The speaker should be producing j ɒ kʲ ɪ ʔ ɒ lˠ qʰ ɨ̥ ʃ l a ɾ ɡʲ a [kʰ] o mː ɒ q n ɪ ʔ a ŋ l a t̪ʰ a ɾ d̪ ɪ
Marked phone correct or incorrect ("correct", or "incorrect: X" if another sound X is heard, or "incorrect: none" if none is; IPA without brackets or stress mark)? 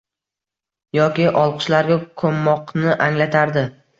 correct